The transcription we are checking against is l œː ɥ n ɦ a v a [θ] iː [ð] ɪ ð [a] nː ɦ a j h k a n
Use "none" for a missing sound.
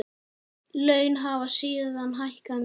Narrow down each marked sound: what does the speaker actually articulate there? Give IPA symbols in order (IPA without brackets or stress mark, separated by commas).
s, ð, a